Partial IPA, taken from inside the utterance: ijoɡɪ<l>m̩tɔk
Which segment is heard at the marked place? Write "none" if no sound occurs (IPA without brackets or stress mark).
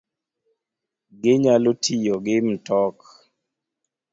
none